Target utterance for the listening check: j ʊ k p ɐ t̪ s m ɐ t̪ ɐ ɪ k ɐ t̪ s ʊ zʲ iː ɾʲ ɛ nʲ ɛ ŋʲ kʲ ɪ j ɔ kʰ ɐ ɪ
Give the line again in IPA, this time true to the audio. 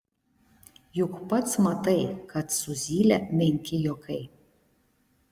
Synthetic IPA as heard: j ʊ k p ɐ t̪ s m ɐ t̪ ɐ ɪ k ɐ t̪ s ʊ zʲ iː lʲ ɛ mʲ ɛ ŋʲ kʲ ɪ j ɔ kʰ ɐ ɪ